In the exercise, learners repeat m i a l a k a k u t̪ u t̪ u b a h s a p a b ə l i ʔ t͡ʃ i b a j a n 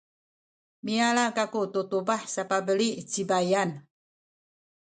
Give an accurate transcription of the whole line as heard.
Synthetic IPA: m i a l a k a k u t̪ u t̪ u b a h s a p a b ə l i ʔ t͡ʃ i b a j a n